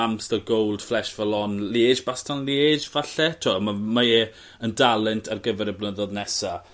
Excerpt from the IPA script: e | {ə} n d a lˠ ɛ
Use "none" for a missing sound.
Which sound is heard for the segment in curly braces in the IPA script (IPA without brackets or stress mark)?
ə